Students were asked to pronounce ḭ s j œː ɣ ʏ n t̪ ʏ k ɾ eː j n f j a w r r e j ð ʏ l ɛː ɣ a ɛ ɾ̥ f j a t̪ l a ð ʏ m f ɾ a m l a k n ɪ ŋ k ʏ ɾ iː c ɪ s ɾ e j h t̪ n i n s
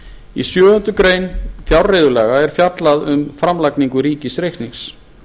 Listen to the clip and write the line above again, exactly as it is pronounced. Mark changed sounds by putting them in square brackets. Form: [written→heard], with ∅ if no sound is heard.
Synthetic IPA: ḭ s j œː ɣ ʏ n t̪ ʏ k ɾ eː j n f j a w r r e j ð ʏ l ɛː ɣ a ɛ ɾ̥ f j a t̪ l a ð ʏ m f ɾ a m l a k n [ɪ→i] ŋ k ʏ ɾ iː c ɪ s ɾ e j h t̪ n i [n→ŋ] s